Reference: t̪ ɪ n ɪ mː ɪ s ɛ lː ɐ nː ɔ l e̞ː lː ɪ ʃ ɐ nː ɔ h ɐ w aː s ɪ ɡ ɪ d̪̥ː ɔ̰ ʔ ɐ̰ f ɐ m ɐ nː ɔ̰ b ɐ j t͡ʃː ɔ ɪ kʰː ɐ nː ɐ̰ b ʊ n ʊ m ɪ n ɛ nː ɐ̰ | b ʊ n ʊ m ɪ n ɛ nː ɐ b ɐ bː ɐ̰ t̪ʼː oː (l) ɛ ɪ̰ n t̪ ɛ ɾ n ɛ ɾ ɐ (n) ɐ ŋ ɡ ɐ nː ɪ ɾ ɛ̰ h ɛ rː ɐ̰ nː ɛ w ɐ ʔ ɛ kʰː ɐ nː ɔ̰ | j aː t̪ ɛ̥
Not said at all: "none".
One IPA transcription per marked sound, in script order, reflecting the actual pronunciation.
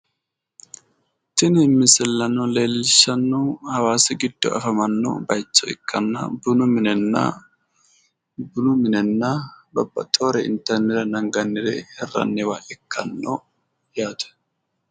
ɾ, n

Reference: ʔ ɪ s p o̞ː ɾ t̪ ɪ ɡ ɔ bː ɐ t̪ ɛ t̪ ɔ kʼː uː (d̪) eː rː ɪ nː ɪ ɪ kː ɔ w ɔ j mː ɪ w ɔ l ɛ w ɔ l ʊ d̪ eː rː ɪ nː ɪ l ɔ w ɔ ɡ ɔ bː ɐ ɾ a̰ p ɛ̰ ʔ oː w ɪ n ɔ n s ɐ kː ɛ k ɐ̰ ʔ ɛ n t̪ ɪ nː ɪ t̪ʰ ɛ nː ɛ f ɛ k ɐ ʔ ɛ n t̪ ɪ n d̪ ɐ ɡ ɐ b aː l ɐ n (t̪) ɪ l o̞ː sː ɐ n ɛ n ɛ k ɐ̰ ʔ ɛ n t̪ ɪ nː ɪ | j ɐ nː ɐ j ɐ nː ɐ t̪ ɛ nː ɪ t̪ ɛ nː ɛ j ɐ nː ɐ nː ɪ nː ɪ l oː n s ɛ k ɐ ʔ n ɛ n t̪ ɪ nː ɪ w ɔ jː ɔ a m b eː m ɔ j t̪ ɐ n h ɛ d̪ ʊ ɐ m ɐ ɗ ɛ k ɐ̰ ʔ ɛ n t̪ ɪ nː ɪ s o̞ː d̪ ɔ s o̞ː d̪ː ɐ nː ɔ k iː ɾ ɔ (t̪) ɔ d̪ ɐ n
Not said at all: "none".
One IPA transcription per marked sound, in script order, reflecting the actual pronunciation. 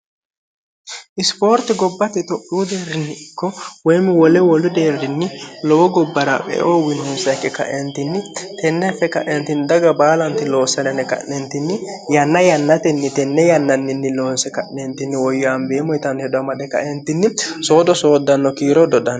d̪, t̪, d̪

